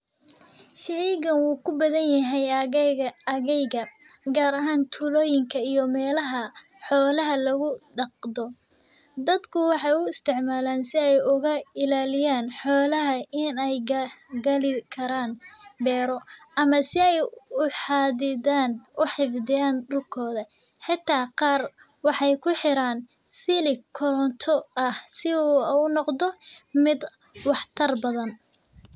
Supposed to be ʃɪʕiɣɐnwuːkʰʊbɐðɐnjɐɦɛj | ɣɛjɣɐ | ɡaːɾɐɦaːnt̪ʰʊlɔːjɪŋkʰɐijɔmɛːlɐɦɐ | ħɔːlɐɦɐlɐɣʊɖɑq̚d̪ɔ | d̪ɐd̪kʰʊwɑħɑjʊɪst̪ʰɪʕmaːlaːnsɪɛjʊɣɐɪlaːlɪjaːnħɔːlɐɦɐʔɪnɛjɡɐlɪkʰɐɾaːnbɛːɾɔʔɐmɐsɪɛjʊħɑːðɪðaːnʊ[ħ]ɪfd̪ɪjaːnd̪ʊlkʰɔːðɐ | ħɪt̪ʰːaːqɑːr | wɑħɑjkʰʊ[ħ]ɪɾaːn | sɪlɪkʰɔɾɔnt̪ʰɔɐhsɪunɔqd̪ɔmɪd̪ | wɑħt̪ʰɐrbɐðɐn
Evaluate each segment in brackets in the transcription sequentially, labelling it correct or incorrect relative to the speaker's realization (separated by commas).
correct, correct